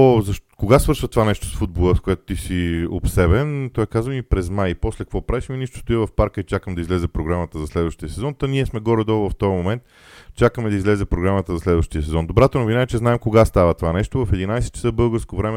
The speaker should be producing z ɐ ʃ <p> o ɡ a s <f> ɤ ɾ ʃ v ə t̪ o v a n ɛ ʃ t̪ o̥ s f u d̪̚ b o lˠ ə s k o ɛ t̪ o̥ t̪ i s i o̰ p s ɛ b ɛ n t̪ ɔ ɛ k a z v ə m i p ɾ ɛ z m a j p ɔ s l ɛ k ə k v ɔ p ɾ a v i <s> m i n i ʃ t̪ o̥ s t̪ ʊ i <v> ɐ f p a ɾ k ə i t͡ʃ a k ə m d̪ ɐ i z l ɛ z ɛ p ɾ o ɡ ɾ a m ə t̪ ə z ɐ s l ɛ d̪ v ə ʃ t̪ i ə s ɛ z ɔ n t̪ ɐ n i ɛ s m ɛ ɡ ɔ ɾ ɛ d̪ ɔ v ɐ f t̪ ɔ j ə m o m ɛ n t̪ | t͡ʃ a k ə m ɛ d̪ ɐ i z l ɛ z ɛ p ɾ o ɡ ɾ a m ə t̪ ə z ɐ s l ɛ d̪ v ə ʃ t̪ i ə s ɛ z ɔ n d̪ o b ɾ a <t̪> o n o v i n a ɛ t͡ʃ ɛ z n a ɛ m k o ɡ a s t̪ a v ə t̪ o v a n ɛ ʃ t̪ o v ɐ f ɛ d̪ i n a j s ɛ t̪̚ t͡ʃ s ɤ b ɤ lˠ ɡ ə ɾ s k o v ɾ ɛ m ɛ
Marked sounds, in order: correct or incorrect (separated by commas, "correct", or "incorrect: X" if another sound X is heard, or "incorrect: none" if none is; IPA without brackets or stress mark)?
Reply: incorrect: k, incorrect: v, incorrect: ʃ, correct, correct